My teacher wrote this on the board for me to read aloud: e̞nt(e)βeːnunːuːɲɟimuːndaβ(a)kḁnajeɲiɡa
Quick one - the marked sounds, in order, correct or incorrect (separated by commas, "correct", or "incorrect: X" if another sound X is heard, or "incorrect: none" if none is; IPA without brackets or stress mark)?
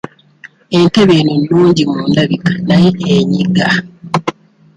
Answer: correct, incorrect: i